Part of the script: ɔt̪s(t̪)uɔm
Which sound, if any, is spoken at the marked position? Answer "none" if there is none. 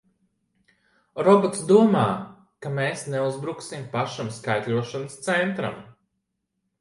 d̪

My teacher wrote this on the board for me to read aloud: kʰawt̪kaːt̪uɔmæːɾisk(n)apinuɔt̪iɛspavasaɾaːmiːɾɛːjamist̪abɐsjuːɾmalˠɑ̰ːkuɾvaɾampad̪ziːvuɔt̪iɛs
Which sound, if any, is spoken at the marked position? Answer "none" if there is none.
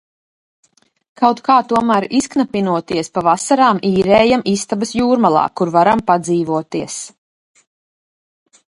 n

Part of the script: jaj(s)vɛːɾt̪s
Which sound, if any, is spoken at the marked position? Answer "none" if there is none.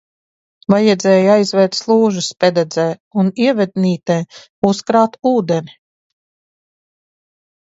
z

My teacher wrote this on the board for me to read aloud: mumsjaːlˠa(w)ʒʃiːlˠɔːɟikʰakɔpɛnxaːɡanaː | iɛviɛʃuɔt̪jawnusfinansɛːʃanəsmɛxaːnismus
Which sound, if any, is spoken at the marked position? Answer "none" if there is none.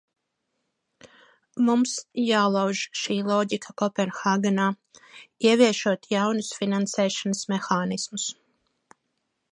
w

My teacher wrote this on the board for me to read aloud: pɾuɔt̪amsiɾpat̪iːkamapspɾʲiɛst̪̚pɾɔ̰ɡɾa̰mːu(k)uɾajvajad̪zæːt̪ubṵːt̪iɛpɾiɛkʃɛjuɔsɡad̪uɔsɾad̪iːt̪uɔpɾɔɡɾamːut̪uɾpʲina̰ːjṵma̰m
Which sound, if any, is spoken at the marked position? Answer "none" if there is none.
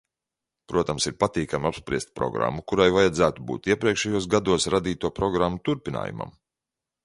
k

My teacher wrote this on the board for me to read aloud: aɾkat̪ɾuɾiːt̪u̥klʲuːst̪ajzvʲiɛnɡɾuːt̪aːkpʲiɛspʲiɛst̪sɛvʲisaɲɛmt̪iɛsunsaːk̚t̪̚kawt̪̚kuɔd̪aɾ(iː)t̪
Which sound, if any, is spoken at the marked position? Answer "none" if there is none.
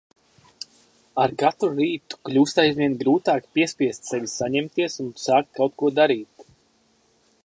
iː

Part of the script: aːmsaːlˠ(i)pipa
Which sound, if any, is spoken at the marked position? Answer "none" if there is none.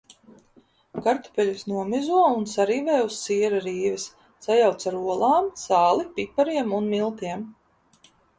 i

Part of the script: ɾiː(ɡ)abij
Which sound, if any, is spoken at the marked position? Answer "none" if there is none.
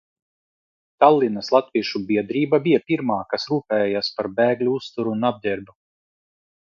b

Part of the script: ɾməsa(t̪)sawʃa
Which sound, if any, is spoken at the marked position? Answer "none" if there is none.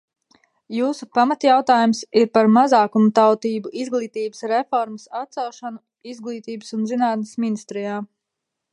t̪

